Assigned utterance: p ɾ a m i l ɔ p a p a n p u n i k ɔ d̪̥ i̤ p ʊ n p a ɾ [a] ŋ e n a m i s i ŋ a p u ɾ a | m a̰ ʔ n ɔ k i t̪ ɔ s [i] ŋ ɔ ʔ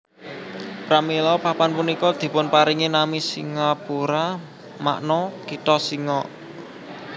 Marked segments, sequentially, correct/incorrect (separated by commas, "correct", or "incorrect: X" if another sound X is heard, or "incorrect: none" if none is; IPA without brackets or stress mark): incorrect: i, correct